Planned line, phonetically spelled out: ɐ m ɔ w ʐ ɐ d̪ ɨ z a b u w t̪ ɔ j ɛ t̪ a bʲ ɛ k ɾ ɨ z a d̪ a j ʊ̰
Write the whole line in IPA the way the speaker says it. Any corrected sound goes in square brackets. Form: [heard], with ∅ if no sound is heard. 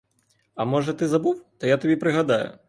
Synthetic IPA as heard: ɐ m ɔ [∅] ʐ ɐ [t̪] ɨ z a b u w t̪ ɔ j [a] t̪ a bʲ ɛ [p] ɾ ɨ [ɣ] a d̪ a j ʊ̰